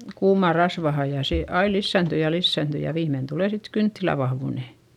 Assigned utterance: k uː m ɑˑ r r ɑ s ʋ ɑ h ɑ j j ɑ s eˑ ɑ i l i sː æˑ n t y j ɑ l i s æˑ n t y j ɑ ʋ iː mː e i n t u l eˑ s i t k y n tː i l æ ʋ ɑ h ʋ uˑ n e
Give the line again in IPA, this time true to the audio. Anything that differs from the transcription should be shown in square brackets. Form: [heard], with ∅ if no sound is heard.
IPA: k uː m ɑˑ r r ɑ s ʋ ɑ h ɑ j j ɑ s eˑ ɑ i l i sː æˑ n t y j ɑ l i [sː] æˑ n t y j ɑ ʋ iː mː e i n t u l eˑ s i t k y n tː i l æ ʋ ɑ h ʋ uˑ n e